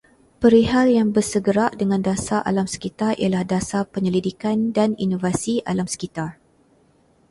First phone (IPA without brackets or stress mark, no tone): p